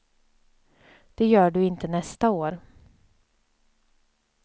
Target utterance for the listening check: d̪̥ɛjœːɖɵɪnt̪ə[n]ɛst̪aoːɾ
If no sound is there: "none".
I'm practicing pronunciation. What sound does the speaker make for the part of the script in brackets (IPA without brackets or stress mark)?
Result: n